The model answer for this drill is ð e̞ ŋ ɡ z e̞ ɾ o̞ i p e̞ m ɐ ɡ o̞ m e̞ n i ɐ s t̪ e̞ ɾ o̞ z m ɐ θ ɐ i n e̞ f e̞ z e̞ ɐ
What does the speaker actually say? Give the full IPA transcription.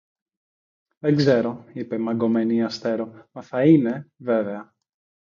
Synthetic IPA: ð e̞ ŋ ɡ z e̞ ɾ o̞ i p e̞ m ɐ ɡ o̞ m e̞ n i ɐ s t̪ e̞ ɾ o̞ m ɐ θ ɐ i n e̞ v e̞ v e̞ ɐ